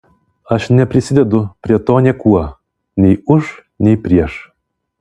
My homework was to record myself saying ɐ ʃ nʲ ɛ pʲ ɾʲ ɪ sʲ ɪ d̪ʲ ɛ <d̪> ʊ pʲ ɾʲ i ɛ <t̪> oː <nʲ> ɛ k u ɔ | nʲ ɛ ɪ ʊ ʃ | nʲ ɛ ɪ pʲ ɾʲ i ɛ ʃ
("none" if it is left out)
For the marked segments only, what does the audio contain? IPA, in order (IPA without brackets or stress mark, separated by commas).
d̪, t̪, nʲ